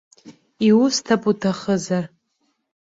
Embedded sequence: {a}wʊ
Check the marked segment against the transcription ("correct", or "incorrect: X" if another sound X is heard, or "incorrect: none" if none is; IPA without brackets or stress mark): incorrect: i